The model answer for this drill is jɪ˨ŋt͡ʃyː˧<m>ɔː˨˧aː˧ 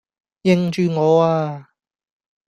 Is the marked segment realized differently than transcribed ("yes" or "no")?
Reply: yes